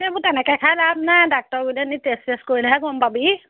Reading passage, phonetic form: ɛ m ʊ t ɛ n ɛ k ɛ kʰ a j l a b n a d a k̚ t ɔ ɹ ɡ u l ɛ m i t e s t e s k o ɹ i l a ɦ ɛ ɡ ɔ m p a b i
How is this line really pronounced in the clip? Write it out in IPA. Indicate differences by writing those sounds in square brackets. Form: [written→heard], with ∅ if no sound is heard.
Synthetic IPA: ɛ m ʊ t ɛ n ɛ k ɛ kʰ a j l a b n a d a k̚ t ɔ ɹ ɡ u l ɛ [m→n] i t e s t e s k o ɹ i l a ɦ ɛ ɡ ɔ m p a b i